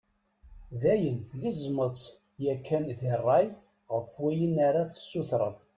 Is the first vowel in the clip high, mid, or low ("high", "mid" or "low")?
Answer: low